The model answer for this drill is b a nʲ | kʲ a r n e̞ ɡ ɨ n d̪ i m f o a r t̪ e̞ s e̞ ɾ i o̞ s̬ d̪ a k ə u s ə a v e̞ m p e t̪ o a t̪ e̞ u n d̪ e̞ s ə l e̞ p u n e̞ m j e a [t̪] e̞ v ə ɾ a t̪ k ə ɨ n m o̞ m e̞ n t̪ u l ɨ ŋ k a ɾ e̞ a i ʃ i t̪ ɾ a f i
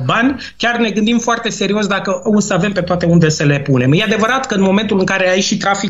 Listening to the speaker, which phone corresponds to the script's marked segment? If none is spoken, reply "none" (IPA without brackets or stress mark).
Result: d̪